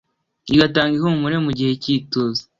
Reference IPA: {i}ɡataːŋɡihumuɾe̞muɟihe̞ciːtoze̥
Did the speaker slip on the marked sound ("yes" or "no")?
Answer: no